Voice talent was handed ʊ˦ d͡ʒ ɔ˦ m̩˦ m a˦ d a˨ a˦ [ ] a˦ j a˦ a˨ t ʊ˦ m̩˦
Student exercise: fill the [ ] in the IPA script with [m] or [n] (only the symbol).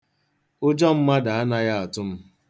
n